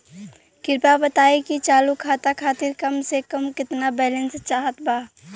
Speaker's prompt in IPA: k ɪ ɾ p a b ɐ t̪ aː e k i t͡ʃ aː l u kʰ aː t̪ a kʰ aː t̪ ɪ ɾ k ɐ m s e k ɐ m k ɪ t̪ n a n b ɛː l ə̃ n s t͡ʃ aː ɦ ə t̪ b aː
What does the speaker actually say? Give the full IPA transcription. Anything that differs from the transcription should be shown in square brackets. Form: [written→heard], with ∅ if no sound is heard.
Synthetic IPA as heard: k ɪ ɾ p a b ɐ t̪ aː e k i t͡ʃ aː l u kʰ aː t̪ a kʰ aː t̪ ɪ ɾ k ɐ m s e k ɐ m k ɪ t̪ n a [n→∅] b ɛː l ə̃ n s t͡ʃ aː ɦ ə t̪ b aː